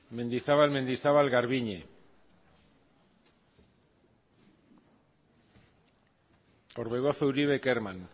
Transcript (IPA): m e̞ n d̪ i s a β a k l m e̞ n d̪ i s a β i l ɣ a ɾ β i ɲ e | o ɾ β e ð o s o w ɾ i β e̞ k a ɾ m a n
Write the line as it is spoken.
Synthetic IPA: m e̞ n d̪ i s a β a l m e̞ n d̪ i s a β a l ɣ a ɾ β i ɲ e | o ɾ β e ɣ o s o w ɾ i β e̞ k e ɾ m a n